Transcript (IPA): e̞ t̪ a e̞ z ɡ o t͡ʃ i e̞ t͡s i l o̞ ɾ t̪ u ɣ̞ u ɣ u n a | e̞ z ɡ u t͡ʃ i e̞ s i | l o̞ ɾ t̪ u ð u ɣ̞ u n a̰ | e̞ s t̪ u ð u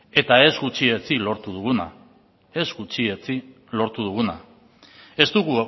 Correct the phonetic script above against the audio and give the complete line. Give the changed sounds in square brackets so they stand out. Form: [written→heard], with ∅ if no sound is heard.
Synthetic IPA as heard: e̞ t̪ a e̞ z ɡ [o→u] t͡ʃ i e̞ t͡s i l o̞ ɾ t̪ u [ɣ̞→ð̞] u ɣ u n a | e̞ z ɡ u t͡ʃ i e̞ [s→t͡s] i | l o̞ ɾ t̪ u ð u ɣ̞ u n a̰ | e̞ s t̪ u [ð→ɣ] u

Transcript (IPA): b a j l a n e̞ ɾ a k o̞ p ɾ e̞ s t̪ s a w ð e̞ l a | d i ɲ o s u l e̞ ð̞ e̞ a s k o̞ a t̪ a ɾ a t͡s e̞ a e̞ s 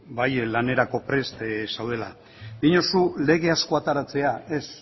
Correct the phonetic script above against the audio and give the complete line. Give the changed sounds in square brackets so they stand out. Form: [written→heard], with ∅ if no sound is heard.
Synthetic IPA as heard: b a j l a n e̞ ɾ a k o̞ p ɾ e̞ s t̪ s a w ð e̞ l a | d i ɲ o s u l e̞ [ð̞→ɣ̞] e̞ a s k o̞ a t̪ a ɾ a t͡s e̞ a e̞ s

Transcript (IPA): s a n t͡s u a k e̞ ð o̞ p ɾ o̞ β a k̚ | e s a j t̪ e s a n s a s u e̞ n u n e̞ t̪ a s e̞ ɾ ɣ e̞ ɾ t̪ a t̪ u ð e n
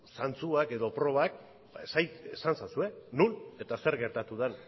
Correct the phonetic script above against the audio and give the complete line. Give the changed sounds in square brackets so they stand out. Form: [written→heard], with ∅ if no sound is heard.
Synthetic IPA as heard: s a n t͡s u a k e̞ ð o̞ p ɾ o̞ β a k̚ | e s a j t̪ e s a n s a s u e̞ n u n e̞ t̪ a s e̞ ɾ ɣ e̞ ɾ t̪ a t̪ u ð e n

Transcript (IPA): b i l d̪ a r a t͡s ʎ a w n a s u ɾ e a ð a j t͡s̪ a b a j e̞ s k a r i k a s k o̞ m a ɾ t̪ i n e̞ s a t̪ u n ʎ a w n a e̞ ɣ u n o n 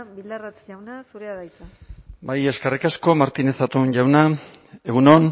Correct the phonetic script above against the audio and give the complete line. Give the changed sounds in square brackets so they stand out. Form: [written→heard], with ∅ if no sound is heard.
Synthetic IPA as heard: b i l d̪ a r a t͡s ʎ a w n a s u ɾ e a ð a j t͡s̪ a b a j e̞ s k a r i k a s k o̞ m a ɾ t̪ i n e̞ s a t̪ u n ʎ a w n a e̞ ɣ u n o n

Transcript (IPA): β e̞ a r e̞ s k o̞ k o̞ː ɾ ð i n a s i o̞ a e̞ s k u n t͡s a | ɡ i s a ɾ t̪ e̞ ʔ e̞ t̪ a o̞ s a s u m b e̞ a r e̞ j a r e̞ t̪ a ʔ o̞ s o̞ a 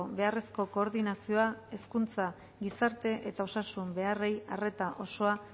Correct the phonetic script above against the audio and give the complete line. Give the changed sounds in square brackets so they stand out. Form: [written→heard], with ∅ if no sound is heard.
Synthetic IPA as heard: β e̞ a r e̞ s k o̞ k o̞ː ɾ ð i n a s i o̞ a e̞ s k u n t͡s a | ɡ i s a ɾ t̪ e̞ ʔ e̞ t̪ a o̞ s a s u m b e̞ a r e̞ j a r e̞ t̪ a ʔ o̞ s o̞ a

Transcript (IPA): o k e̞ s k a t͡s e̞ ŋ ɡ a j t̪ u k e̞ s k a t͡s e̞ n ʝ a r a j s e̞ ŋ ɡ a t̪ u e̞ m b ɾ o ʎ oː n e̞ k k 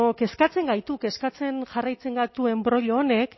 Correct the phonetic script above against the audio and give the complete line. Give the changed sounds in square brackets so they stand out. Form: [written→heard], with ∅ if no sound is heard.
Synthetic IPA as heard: o k e̞ s k a t͡s e̞ ŋ ɡ a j t̪ u k e̞ s k a t͡s e̞ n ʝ a r a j [s→t͡s] e̞ ŋ ɡ a t̪ u e̞ m b ɾ o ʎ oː n e̞ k k

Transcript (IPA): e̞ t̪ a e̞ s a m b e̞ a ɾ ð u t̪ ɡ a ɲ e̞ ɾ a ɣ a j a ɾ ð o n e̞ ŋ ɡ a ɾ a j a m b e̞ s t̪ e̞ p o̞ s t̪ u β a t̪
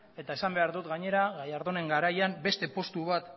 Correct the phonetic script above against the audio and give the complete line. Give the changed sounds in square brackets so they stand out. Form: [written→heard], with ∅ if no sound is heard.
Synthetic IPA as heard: e̞ t̪ a e̞ s a m b e̞ a ɾ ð u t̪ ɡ a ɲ e̞ ɾ a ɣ a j a ɾ ð o n e̞ ŋ ɡ a ɾ a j a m b e̞ s t̪ e̞ p o̞ s t̪ u β a t̪

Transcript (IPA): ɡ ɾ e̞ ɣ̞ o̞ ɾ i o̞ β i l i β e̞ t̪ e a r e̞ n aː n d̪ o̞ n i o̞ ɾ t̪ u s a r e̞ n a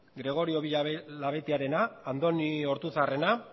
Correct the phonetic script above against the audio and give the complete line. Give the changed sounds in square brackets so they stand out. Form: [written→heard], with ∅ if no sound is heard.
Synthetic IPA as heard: ɡ ɾ e̞ ɣ̞ o̞ ɾ i o̞ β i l [i→a] β e̞ t̪ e a [r→ɾ] e̞ n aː n d̪ o̞ n i o̞ ɾ t̪ u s a r e̞ n a

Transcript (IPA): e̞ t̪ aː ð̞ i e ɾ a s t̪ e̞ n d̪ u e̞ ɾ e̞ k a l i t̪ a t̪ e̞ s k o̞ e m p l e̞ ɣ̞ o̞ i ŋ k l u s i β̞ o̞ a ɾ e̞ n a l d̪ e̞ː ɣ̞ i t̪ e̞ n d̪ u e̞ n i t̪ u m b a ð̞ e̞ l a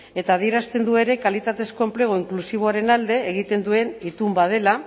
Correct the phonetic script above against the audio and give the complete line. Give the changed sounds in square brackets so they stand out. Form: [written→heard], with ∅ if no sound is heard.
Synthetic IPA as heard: e̞ t̪ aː ð̞ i e ɾ a s t̪ e̞ n d̪ u e̞ ɾ e̞ k a l i t̪ a t̪ e̞ s k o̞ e m p l e̞ ɣ̞ o̞ i ŋ k l u s i β̞ o̞ a ɾ e̞ n a l d̪ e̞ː ɣ̞ i t̪ e̞ n d̪ u e̞ n i t̪ u m b a ð̞ e̞ l a

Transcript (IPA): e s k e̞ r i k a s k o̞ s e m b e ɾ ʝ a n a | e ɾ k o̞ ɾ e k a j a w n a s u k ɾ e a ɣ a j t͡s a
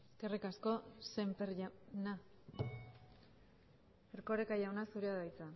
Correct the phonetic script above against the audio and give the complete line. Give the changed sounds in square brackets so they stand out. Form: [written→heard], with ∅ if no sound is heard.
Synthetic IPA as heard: e s k e̞ r i k a s k o̞ s e m [b→p] e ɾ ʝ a n a | e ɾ k o̞ ɾ e k a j a w n a s u [k→∅] ɾ e a [ɣ→ð] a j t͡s a

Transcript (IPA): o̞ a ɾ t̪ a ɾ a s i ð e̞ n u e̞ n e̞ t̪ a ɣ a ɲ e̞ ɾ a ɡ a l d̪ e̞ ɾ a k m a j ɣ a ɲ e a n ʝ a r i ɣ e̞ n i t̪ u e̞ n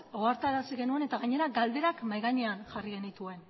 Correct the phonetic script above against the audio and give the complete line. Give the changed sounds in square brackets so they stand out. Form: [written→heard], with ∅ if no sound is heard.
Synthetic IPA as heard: o̞ a ɾ t̪ a ɾ a s i [ð→ɣ] e̞ n u e̞ n e̞ t̪ a ɣ a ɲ e̞ ɾ a ɡ a l d̪ e̞ ɾ a k m a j ɣ a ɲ e a n ʝ a r i ɣ e̞ n i t̪ u e̞ n

